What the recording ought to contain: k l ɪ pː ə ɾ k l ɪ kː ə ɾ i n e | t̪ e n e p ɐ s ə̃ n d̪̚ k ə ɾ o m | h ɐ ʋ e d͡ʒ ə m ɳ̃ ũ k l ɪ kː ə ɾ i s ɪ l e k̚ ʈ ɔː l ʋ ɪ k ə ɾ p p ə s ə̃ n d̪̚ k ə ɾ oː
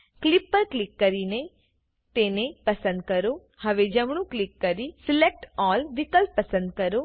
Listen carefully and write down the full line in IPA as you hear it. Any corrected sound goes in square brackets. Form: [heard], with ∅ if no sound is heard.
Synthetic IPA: k l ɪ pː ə ɾ k l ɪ kː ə ɾ i n e | t̪ e n e p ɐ s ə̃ n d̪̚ k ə ɾ o [∅] | h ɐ ʋ e d͡ʒ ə m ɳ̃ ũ k l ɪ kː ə ɾ i s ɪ l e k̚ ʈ ɔː l ʋ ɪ k ə [l] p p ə s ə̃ n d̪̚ k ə ɾ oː

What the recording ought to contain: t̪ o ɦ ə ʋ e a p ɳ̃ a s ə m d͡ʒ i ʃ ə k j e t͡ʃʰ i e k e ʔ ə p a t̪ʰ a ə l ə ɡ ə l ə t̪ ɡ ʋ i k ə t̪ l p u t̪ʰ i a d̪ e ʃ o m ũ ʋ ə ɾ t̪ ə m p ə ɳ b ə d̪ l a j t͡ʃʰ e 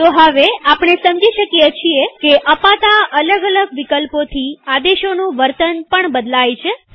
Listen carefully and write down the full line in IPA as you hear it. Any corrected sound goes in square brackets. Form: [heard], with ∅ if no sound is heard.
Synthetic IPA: t̪ o ɦ ə ʋ e a p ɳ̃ [e] s ə m d͡ʒ i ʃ ə k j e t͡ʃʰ i e k e ʔ ə p a [t̪] a ə l ə ɡ ə l ə [∅] ɡ ʋ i k ə [∅] l p [o] t̪ʰ i a d̪ e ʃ o [n] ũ ʋ ə ɾ t̪ ə [n] p ə ɳ b ə d̪ l a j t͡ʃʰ e

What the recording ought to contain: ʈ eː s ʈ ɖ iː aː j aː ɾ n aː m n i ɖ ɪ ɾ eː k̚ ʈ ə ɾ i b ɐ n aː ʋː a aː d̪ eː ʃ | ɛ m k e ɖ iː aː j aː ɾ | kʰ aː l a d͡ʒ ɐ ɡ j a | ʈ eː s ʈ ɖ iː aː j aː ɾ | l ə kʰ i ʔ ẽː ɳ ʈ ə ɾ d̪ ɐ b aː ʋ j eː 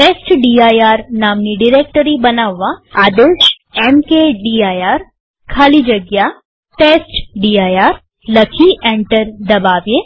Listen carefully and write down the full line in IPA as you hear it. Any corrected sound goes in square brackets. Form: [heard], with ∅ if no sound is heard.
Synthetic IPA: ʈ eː s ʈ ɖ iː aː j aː ɾ n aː m n i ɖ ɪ ɾ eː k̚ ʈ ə ɾ i b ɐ n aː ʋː a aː d̪ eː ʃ | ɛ m k e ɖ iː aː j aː ɾ | kʰ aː l [i] d͡ʒ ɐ ɡ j a | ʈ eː s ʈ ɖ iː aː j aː ɾ | l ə kʰ i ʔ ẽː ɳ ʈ ə ɾ d̪ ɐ b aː ʋ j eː

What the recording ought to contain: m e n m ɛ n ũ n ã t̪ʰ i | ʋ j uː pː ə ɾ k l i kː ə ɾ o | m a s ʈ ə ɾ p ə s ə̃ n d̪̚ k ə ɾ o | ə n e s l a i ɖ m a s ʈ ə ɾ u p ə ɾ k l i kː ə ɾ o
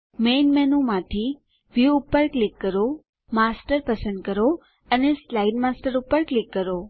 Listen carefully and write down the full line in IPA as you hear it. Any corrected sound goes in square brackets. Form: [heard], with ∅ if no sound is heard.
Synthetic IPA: m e n m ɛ n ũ [m] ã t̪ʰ i | ʋ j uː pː ə ɾ k l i kː ə ɾ o | m a s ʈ ə ɾ p ə s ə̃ n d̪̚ k ə ɾ o | ə n e s l a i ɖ m a s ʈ ə ɾ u p ə ɾ k l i kː ə ɾ o

